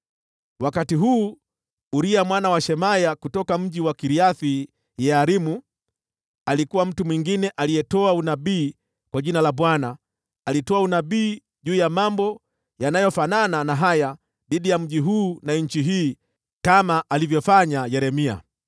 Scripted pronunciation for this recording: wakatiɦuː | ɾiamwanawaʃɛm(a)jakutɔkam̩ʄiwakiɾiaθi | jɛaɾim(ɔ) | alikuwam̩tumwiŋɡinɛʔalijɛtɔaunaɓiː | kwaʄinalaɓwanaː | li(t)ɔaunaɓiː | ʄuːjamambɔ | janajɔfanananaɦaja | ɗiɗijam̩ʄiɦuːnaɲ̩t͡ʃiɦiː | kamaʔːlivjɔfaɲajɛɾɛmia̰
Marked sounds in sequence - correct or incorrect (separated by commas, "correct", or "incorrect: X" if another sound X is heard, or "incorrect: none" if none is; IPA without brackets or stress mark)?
correct, incorrect: u, correct